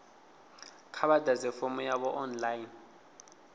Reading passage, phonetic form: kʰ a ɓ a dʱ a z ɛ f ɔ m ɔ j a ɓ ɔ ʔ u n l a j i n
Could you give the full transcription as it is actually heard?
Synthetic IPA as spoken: kʰ a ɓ a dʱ a z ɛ f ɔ m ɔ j a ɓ ɔ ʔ ɔ n l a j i n